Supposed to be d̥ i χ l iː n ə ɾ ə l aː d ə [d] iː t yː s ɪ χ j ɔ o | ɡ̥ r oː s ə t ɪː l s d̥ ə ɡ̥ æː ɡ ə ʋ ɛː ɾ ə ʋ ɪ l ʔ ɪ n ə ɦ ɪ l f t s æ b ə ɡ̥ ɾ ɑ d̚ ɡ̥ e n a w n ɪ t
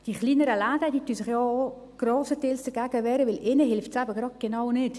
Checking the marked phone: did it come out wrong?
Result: no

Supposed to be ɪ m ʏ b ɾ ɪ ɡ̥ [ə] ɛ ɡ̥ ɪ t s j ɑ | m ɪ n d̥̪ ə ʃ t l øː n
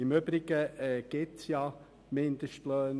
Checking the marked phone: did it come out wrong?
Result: no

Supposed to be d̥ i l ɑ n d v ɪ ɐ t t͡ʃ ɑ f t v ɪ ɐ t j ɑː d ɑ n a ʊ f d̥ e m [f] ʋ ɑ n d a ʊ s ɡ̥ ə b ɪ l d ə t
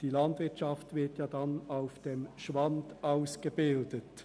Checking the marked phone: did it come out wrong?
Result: yes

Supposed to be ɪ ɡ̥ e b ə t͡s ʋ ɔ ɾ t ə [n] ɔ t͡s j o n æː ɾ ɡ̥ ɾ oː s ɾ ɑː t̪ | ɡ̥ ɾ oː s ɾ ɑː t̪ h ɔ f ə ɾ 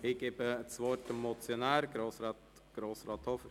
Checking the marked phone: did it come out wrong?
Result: yes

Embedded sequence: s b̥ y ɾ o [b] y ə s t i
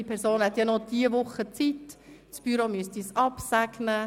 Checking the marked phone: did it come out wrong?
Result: yes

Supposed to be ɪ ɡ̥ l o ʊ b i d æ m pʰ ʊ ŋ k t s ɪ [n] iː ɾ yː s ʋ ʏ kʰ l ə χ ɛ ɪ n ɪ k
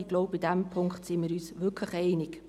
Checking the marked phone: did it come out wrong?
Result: yes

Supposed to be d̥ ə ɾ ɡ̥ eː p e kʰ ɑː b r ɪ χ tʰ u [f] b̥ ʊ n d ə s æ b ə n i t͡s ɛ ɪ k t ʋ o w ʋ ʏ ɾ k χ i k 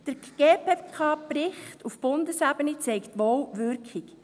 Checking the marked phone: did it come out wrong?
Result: no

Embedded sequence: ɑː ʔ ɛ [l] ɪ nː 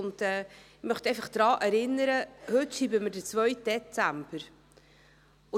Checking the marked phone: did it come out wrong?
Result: yes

